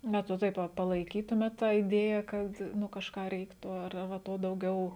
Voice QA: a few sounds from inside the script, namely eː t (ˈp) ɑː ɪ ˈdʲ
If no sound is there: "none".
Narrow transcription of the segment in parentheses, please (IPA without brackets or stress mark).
t